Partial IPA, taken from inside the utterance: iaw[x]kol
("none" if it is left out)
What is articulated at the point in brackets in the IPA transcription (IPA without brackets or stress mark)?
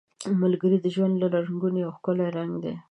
x